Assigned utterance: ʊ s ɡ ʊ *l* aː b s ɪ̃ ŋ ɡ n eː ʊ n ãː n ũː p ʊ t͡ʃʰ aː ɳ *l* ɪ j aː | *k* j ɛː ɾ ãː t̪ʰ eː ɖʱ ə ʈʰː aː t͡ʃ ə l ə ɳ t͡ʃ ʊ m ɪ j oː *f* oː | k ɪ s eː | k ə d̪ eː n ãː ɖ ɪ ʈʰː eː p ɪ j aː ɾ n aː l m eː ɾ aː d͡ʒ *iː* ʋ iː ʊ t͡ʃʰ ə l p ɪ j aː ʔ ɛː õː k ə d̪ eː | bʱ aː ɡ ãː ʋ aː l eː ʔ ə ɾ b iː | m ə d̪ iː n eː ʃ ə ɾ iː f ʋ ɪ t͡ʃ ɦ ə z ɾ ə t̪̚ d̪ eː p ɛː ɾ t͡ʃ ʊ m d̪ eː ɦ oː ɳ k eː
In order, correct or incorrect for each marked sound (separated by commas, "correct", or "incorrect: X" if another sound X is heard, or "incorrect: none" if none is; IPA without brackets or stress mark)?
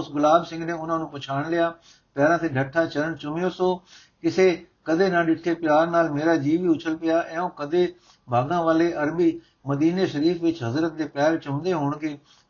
correct, correct, incorrect: p, incorrect: s, correct